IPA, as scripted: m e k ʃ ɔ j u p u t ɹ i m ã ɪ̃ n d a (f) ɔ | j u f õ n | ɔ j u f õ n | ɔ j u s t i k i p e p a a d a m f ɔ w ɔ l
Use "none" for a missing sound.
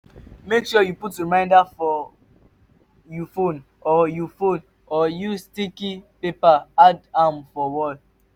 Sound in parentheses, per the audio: f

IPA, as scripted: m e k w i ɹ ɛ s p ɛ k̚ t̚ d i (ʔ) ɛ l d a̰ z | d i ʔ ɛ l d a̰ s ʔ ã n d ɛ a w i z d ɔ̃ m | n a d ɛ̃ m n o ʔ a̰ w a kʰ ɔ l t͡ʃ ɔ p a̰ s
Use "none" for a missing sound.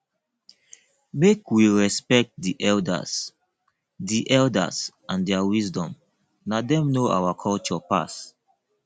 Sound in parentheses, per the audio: ʔ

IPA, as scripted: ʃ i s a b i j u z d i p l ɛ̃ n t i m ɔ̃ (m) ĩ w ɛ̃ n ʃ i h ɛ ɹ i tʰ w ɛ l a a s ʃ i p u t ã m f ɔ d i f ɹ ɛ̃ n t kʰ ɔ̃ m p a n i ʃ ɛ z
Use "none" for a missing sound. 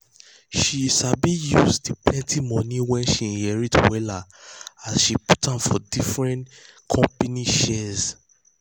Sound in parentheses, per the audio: n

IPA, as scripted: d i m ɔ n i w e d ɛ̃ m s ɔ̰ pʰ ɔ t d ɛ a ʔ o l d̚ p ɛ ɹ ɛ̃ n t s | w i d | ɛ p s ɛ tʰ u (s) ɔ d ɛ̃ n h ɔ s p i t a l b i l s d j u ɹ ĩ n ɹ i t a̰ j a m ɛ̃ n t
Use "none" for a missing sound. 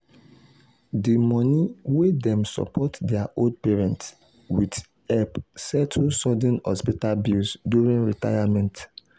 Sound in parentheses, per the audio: s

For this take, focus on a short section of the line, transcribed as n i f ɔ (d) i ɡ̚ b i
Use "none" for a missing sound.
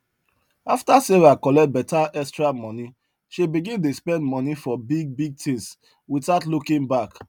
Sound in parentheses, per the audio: b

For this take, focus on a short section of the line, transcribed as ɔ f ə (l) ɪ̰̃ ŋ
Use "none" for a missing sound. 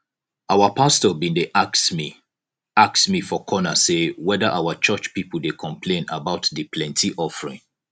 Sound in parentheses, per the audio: ɹ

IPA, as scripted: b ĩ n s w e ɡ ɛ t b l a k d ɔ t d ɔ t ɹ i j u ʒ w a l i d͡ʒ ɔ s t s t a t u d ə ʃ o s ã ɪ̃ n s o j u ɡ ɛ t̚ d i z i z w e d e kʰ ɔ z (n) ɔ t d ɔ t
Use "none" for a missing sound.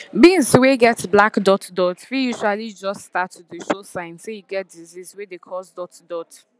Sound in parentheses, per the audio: d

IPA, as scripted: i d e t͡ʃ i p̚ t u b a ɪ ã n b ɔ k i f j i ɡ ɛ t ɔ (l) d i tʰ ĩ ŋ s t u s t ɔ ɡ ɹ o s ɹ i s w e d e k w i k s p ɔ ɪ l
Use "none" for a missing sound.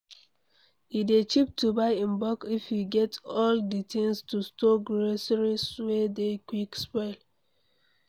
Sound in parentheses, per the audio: l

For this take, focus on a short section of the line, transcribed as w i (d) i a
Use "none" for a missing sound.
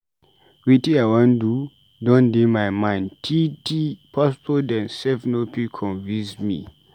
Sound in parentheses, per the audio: t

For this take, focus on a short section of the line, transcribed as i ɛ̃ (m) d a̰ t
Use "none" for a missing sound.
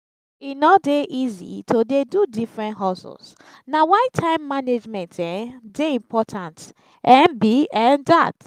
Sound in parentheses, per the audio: n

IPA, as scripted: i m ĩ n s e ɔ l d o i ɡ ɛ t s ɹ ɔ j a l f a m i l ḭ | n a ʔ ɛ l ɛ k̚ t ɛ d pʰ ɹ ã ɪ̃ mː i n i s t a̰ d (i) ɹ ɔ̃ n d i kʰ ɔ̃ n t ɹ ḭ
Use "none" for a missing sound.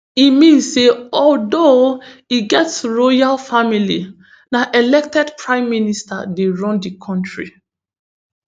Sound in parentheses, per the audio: e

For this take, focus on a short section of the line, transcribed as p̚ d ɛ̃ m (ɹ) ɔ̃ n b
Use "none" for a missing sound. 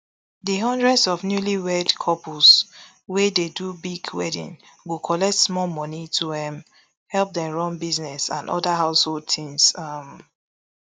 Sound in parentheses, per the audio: ɹ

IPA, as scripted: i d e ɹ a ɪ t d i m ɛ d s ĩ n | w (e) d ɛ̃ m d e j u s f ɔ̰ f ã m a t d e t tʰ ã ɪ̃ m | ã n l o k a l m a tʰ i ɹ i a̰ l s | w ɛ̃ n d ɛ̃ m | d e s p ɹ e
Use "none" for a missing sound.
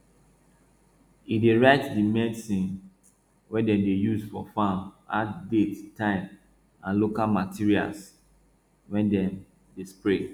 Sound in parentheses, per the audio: ɛ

